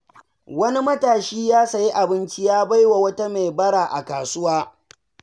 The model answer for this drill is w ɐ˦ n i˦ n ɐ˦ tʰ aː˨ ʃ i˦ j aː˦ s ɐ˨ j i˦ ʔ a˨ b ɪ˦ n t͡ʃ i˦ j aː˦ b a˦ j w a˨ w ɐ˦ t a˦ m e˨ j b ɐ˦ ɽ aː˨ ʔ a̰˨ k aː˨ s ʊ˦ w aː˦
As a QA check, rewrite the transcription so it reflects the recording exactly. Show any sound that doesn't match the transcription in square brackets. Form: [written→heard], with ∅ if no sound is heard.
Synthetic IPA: w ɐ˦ n i˦ [n→m] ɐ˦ [tʰ→t] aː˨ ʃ [i˦→iː˦] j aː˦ s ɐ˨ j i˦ ʔ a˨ b ɪ˦ n t͡ʃ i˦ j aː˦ b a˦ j w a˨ w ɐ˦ t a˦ m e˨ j b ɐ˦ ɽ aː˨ ʔ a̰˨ k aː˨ s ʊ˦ w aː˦